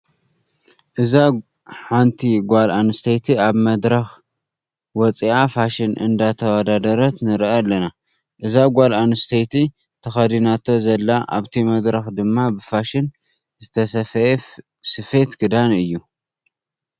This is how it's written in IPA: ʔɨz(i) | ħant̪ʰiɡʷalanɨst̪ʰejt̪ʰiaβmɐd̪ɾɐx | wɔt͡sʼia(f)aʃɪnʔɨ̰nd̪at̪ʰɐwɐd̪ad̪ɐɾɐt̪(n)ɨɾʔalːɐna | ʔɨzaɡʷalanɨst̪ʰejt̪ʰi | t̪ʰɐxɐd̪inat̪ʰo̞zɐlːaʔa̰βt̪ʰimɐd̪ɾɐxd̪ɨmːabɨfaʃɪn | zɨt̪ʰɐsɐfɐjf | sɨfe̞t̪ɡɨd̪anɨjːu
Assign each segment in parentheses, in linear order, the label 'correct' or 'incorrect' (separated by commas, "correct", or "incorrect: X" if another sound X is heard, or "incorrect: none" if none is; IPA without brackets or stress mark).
incorrect: a, correct, correct